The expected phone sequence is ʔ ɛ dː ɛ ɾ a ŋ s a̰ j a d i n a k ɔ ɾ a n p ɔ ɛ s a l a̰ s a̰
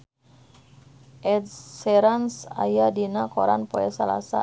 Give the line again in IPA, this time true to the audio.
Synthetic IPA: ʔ ɛ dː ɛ ɾ a n s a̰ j a d i n a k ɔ ɾ a n p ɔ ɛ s a l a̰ s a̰